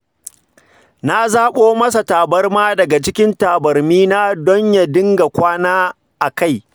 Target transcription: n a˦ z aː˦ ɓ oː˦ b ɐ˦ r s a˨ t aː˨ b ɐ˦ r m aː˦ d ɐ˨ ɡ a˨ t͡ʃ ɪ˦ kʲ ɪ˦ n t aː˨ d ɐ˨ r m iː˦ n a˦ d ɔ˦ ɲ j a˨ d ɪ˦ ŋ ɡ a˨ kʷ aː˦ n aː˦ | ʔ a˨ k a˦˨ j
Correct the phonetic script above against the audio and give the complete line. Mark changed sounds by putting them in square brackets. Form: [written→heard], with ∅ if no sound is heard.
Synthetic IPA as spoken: n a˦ z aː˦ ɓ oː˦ [b→m] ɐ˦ [r→∅] s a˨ t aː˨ b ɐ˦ r m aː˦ d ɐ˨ ɡ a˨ t͡ʃ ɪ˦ kʲ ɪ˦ n t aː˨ [d→b] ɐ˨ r m iː˦ n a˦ d ɔ˦ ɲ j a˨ d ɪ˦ ŋ ɡ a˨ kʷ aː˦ n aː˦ | ʔ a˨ k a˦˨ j